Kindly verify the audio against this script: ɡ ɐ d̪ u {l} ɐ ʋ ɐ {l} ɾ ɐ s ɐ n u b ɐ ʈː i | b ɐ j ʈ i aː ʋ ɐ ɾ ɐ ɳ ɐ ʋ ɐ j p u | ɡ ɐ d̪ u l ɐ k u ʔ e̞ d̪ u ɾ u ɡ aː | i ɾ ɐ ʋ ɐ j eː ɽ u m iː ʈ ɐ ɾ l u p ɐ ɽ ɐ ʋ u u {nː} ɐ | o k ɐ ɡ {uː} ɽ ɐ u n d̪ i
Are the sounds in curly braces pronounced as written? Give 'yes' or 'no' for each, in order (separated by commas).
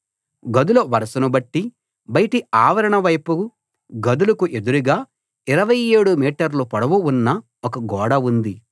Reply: yes, no, yes, no